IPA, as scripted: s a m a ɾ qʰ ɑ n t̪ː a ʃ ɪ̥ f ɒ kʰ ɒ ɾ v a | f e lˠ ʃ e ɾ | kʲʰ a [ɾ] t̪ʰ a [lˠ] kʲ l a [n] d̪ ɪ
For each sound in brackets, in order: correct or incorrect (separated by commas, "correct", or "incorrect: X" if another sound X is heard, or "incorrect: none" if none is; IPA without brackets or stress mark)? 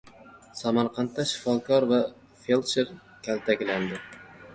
incorrect: l, incorrect: none, correct